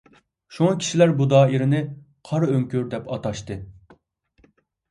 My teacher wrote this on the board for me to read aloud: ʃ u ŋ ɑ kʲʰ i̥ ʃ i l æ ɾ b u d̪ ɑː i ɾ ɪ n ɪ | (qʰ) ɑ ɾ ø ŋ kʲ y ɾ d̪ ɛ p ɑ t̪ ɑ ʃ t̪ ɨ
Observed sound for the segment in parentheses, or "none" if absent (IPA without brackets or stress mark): qʰ